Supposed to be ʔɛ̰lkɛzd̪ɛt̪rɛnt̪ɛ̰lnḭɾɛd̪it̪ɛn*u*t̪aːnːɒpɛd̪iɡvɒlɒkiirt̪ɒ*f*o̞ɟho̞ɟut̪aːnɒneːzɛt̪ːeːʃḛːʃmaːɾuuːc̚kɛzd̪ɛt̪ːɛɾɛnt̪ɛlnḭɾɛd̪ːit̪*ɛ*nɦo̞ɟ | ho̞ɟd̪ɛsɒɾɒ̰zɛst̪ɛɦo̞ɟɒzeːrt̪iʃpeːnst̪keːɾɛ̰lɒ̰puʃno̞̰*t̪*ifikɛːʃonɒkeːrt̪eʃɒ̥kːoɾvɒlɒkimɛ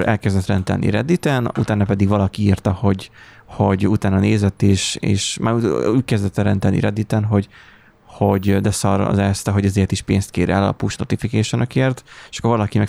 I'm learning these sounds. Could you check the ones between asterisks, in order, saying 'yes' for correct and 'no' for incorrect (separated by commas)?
yes, no, yes, yes